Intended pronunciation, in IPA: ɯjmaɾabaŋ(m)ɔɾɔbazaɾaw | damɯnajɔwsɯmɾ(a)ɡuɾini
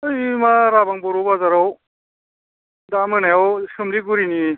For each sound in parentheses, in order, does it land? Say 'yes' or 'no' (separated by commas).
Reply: no, no